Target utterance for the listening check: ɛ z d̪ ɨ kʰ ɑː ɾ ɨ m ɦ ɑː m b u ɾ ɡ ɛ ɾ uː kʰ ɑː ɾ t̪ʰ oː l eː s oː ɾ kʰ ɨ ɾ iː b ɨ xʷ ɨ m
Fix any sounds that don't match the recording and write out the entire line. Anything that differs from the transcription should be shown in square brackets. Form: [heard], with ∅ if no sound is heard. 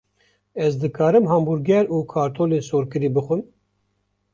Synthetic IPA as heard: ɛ z d̪ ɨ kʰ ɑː ɾ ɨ m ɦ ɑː m b u ɾ ɡ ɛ ɾ uː kʰ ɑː ɾ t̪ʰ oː l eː s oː ɾ [k] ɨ ɾ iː b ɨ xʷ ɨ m